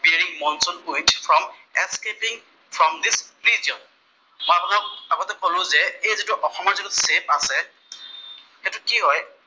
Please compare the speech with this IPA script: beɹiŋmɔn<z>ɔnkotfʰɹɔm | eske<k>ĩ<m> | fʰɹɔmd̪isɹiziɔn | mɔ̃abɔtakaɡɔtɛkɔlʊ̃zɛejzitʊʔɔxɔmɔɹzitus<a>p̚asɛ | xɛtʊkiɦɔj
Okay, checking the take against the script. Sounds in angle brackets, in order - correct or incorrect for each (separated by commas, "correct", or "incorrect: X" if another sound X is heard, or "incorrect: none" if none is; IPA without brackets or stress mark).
incorrect: s, incorrect: p, incorrect: ŋ, incorrect: e